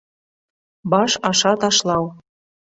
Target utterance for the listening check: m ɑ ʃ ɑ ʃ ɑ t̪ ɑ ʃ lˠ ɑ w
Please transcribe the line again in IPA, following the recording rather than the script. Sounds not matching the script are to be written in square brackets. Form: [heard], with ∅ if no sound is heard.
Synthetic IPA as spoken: [b] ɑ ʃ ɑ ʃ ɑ t̪ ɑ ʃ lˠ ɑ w